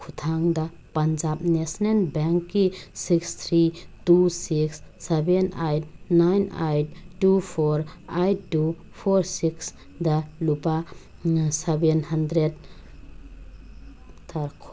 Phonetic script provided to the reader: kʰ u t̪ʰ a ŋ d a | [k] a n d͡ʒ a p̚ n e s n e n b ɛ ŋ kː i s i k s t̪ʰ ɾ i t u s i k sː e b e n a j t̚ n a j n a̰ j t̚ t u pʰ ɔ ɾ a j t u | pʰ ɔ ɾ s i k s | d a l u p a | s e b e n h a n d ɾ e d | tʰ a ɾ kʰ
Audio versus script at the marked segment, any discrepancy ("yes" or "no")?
yes